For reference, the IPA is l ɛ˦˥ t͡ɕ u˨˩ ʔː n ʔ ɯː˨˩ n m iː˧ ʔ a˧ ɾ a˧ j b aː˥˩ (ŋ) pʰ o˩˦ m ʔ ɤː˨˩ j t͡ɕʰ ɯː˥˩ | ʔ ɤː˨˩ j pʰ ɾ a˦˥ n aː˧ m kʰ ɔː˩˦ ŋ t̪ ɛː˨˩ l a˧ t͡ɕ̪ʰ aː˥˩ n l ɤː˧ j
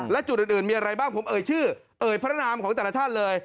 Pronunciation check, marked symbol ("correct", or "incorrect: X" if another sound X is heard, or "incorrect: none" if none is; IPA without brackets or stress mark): correct